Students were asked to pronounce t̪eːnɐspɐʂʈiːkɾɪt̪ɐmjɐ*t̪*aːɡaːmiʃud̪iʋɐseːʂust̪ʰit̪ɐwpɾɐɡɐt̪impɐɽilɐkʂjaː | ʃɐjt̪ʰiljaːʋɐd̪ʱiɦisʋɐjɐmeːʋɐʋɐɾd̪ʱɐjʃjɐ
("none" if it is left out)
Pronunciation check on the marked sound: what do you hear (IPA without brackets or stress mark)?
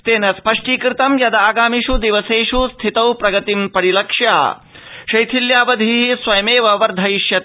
d̪